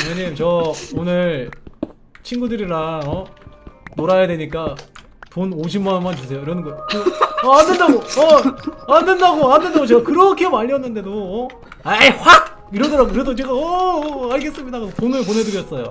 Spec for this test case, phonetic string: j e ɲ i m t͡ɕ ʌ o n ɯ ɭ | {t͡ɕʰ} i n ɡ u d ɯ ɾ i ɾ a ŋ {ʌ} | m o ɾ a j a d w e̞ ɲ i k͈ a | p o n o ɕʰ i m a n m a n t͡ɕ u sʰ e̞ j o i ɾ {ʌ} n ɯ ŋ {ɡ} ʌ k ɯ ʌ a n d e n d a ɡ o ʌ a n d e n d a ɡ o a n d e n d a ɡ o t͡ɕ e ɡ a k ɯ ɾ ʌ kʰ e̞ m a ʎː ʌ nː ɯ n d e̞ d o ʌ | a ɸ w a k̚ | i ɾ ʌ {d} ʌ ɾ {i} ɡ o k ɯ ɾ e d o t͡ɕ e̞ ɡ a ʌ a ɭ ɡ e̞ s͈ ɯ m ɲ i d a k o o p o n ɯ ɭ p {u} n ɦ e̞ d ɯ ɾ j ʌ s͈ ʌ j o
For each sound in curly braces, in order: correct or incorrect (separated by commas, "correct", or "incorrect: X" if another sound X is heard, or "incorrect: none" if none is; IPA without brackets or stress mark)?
correct, correct, correct, correct, correct, incorrect: a, incorrect: o